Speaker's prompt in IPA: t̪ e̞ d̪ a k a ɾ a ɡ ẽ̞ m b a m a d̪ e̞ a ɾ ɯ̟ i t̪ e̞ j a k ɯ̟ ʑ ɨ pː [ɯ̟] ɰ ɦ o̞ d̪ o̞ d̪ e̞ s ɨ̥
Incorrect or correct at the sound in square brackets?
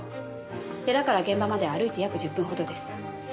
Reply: incorrect: ɯ̟̃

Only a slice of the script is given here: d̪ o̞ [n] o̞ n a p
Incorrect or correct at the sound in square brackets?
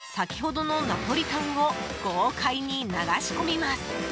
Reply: correct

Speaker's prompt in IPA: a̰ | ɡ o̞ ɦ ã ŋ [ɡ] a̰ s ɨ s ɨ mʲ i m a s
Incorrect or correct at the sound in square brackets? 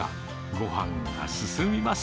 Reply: correct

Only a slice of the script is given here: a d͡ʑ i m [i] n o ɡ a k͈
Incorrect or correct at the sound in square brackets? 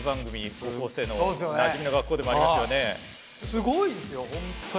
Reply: correct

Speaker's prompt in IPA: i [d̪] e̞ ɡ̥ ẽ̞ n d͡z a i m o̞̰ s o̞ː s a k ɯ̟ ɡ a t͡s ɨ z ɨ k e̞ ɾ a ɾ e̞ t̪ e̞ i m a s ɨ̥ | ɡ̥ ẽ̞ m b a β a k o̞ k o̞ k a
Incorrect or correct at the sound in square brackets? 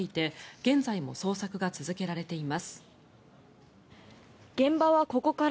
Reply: incorrect: t̪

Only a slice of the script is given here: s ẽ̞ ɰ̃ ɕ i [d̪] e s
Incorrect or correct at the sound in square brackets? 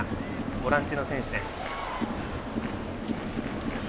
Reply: correct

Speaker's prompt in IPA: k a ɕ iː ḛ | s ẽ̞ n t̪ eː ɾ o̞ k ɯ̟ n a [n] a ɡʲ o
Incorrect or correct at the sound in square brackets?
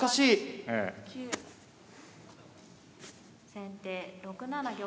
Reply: correct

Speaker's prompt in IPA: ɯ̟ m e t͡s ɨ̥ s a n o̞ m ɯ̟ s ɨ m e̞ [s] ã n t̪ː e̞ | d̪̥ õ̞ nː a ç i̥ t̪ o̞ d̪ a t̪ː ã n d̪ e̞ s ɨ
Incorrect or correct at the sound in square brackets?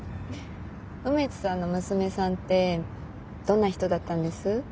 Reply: correct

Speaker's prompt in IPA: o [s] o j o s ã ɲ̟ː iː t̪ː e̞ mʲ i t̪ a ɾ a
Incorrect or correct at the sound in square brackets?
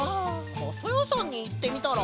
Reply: correct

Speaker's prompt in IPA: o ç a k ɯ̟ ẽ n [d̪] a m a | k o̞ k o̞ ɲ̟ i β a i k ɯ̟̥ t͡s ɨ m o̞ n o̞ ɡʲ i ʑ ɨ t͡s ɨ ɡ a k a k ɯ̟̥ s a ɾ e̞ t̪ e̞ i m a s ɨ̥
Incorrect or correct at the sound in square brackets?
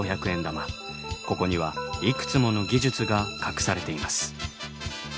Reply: correct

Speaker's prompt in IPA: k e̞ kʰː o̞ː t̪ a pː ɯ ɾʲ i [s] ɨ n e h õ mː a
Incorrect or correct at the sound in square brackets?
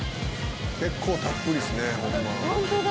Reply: correct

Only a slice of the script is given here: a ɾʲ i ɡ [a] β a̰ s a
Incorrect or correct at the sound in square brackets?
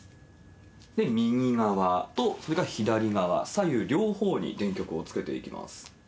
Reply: correct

